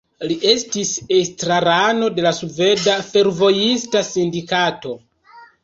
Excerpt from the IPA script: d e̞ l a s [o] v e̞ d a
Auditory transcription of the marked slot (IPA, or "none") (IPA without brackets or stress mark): u